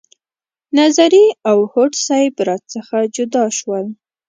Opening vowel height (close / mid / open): open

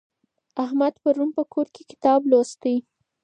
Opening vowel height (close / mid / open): open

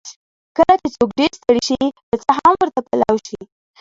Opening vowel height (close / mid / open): mid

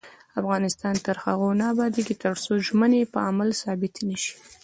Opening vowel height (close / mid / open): open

